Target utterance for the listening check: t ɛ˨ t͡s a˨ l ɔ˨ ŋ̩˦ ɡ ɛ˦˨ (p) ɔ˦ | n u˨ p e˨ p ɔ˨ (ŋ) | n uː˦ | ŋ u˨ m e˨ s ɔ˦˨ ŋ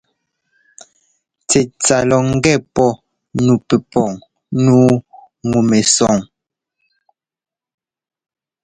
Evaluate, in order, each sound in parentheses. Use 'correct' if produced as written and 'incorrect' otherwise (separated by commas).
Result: correct, correct